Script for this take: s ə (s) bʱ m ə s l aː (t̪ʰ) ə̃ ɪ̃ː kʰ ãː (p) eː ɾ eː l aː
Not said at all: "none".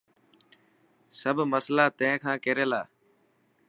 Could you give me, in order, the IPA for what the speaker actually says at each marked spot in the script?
none, t̪, k

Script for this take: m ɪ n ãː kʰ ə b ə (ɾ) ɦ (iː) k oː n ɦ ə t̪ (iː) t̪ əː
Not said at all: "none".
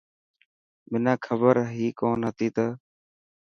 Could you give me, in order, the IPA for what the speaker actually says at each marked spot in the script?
ɾ, iː, iː

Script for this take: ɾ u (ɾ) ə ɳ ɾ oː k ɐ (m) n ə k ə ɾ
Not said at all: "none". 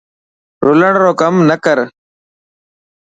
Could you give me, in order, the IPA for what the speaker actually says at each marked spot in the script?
l, m

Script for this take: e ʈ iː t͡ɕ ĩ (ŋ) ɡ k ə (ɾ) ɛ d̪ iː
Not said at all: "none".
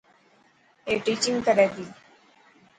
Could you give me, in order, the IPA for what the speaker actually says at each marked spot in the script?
ŋ, ɾ

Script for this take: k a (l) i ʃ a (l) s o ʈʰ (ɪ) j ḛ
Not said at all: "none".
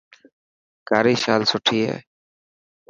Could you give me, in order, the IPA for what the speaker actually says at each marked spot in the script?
ɾ, l, i

